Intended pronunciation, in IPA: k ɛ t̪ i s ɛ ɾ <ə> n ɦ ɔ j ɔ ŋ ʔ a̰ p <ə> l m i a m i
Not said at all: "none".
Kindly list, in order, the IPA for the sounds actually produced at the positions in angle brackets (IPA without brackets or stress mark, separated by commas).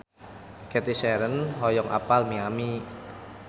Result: ə, a